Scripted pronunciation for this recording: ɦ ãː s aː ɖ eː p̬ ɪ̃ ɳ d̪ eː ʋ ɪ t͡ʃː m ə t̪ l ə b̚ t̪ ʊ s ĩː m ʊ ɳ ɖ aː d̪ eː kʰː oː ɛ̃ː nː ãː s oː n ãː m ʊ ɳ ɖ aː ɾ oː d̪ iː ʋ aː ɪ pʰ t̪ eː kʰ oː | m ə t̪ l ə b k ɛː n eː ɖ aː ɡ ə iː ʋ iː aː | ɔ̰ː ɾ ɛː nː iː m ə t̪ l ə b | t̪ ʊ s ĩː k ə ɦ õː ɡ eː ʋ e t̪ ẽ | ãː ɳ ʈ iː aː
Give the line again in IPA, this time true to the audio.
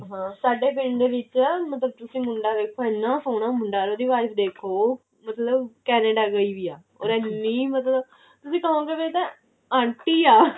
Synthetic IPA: ɦ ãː s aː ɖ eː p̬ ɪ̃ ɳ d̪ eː ʋ ɪ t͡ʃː m ə t̪ l ə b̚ t̪ ʊ s ĩː m ʊ ɳ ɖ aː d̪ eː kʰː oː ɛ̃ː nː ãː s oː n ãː m ʊ ɳ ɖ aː ɾ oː d̪ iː ʋ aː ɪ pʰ d̪ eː kʰ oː | m ə t̪ l ə b k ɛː n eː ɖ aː ɡ ə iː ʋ iː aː | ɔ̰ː ɾ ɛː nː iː m ə t̪ l ə b | t̪ ʊ s ĩː k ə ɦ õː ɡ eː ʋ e t̪ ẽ | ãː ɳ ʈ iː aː